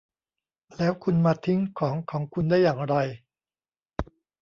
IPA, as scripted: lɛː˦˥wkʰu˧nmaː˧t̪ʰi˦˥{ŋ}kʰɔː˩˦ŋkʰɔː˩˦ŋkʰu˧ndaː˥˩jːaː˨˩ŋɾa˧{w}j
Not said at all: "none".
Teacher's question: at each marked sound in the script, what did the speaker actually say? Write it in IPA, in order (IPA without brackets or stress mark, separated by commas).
ŋ, none